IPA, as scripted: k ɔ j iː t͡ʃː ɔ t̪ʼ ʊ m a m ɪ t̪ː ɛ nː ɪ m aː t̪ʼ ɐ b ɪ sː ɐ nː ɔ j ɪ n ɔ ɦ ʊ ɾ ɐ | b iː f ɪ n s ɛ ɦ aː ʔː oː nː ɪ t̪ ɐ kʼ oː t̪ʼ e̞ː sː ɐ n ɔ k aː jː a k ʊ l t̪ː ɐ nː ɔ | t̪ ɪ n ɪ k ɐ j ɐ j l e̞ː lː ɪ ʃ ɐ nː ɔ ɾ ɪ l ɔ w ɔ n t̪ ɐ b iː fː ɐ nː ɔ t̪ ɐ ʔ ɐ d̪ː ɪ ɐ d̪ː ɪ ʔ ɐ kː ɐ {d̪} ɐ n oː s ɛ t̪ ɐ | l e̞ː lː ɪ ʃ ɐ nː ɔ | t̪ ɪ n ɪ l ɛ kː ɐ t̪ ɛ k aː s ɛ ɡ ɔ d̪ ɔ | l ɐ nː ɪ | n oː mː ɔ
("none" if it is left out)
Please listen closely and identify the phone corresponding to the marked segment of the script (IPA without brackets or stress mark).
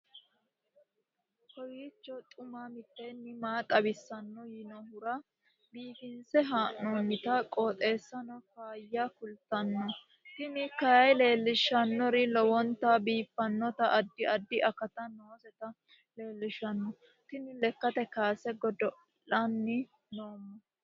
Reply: t̪